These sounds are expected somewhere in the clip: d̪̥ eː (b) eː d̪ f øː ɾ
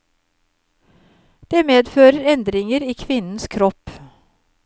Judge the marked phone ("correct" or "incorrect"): incorrect